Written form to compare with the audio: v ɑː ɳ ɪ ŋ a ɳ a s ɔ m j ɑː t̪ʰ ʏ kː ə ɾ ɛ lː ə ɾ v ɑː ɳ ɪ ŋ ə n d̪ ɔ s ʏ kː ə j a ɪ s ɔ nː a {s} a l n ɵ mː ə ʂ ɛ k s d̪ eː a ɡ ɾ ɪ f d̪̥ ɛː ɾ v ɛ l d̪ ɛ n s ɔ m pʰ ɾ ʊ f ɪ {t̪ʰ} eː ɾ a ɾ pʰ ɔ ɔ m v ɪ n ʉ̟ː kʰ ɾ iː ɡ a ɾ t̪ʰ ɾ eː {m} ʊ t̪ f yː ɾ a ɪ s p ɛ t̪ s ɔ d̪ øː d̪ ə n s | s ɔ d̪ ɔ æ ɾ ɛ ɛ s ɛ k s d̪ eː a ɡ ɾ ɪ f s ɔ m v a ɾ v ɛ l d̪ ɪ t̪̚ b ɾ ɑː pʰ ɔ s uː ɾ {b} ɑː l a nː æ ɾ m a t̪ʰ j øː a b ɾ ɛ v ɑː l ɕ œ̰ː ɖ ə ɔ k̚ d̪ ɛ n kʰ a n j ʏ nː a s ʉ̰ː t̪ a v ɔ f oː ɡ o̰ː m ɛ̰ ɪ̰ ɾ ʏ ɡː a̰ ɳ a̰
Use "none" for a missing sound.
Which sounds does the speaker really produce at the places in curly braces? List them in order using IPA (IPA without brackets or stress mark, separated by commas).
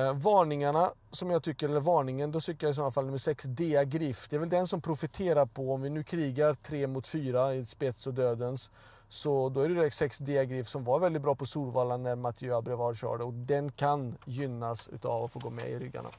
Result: f, t̪ʰ, m, v